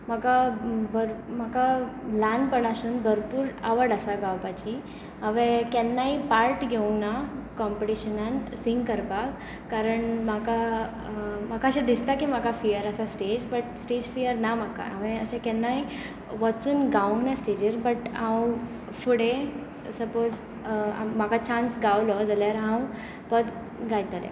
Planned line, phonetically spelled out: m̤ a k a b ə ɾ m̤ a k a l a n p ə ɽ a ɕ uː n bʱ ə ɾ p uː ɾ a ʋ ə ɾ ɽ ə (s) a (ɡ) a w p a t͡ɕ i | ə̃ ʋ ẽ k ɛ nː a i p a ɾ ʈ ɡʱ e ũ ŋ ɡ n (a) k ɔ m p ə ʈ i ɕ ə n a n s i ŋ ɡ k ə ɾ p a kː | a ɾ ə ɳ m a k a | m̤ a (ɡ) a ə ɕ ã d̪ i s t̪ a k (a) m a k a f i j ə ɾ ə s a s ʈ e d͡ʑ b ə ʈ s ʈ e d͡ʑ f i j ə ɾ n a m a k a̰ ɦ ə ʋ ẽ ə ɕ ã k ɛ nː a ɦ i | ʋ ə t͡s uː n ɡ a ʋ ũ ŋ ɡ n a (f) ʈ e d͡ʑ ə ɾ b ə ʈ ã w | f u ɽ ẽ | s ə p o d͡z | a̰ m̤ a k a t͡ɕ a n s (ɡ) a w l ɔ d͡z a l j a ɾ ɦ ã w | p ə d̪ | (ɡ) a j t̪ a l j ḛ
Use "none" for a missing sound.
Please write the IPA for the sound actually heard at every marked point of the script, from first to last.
s, ɡ, a, k, i, s, ɡ, ɡ

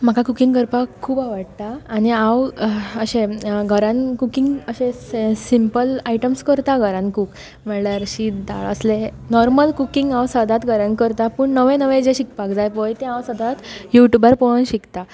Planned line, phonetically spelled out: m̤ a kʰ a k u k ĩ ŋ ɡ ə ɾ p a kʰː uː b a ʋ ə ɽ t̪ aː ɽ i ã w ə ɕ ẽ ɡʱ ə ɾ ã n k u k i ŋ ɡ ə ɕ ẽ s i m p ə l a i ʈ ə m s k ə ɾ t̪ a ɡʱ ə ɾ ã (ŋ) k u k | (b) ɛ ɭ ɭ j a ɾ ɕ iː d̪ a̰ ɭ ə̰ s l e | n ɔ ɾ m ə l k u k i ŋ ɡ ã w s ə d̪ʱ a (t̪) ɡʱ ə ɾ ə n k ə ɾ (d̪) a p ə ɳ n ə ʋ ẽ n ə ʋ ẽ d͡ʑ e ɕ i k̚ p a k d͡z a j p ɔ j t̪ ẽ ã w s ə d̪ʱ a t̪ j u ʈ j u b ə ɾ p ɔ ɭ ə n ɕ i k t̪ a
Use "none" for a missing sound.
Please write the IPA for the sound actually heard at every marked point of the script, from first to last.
n, m, t̪, t̪

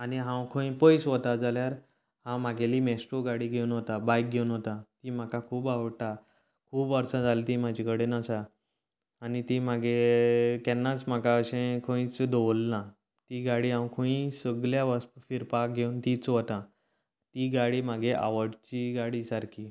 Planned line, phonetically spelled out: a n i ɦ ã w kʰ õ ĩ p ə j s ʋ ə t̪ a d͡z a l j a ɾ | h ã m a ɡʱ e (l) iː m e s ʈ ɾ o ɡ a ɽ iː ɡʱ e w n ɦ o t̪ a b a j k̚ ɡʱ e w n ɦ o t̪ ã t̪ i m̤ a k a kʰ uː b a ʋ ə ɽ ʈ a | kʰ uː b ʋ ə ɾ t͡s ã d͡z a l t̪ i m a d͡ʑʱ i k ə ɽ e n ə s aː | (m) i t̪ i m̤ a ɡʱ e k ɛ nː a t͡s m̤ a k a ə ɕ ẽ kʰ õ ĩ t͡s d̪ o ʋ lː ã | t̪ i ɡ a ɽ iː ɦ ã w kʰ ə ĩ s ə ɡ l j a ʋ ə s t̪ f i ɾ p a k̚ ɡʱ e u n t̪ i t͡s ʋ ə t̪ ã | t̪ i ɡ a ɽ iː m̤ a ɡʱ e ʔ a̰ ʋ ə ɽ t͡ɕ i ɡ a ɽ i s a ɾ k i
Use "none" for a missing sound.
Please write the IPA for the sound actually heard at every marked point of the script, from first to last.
l, n

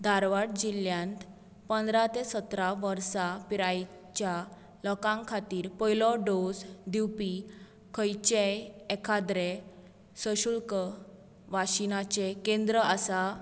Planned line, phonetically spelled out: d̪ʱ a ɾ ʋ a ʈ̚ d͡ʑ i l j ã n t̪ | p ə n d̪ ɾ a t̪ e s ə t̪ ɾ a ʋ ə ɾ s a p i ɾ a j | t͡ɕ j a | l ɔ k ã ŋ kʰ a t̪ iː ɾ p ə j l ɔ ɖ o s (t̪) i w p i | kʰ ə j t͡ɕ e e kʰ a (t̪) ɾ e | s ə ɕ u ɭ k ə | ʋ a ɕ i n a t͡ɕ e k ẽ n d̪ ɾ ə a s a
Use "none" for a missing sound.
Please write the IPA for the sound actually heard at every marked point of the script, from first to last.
d̪, d̪

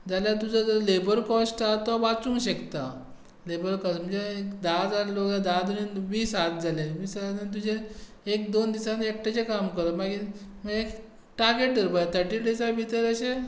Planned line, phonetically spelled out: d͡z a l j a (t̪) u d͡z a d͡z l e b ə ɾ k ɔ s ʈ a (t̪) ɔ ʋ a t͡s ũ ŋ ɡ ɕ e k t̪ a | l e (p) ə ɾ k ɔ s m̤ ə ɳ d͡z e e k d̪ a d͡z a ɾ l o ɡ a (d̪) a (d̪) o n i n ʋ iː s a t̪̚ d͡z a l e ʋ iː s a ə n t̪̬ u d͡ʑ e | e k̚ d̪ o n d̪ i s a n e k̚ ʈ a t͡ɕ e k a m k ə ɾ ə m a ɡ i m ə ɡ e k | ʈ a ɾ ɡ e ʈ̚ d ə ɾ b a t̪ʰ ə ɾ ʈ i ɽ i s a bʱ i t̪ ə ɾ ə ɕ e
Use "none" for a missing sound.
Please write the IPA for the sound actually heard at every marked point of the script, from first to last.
t̪, t̪, b, d̪, d̪

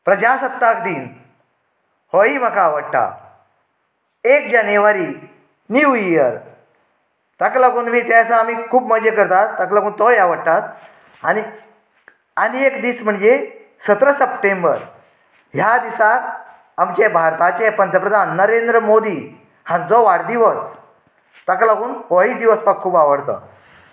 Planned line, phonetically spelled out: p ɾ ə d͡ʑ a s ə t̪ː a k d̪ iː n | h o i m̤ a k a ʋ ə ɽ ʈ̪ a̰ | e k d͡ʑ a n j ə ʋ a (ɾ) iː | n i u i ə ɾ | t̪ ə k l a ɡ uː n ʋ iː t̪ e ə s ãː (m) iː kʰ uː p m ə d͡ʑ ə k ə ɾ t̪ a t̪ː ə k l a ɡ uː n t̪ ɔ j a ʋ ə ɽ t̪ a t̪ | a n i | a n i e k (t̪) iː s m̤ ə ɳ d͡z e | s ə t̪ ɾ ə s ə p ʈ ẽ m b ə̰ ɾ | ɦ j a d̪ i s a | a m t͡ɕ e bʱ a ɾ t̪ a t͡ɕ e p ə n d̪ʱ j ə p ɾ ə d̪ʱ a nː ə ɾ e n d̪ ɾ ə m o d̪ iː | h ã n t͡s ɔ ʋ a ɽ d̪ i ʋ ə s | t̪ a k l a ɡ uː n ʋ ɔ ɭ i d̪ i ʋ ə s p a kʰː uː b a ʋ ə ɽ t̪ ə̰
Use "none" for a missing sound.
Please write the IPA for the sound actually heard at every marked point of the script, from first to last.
ɾ, m, d̪

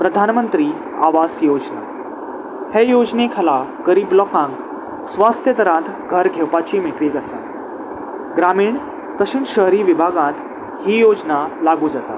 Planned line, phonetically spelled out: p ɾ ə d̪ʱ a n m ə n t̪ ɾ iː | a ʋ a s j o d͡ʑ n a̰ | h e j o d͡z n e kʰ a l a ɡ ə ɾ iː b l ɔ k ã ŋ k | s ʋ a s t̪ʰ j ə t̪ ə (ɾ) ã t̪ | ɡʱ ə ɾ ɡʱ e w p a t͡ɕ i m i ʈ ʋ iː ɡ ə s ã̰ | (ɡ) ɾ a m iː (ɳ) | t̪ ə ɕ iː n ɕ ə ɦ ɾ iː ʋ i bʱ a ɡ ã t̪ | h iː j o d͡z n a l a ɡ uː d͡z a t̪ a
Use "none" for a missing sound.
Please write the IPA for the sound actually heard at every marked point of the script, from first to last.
ɾ, ɡ, ɳ

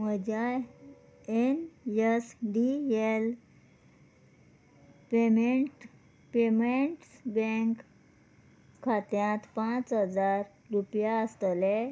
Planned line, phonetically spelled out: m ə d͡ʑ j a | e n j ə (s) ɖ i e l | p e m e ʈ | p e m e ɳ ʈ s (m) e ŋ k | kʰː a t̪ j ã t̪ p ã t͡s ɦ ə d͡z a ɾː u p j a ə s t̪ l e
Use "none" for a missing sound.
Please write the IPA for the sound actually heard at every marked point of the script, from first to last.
s, b

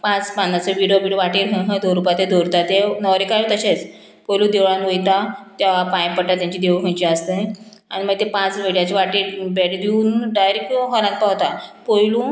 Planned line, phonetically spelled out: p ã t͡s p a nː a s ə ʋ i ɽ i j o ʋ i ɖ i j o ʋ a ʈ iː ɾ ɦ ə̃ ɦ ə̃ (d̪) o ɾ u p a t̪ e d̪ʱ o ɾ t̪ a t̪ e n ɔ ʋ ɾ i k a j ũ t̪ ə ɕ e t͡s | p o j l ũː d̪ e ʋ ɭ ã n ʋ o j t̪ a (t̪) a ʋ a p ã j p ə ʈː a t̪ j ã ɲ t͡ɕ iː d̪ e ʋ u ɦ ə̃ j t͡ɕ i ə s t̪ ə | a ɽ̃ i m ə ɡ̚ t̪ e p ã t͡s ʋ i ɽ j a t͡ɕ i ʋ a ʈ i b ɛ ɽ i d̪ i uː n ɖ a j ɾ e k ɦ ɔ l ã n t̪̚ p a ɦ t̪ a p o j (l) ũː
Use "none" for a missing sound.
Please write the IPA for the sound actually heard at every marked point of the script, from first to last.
d̪, t̪, l

